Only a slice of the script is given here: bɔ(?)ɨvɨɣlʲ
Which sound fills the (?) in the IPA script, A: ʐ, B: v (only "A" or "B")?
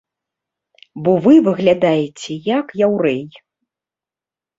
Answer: B